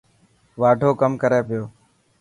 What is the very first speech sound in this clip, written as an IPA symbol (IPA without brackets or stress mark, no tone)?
ʋ